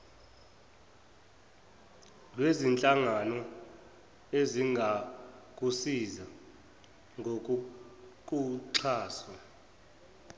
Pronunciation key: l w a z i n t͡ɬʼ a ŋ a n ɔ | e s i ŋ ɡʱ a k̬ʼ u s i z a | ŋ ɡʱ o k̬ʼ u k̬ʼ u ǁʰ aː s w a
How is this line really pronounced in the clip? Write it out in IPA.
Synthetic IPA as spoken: l w e z i n t͡ɬʼ a ŋ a n ɔ | e z i ŋ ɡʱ a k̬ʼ u s i z a | ŋ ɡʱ o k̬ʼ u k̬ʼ u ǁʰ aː s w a